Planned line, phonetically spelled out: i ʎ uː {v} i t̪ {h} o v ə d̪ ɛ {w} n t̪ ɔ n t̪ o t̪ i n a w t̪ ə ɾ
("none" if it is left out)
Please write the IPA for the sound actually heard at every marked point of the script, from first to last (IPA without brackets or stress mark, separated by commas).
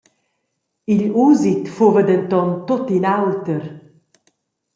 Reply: z, f, none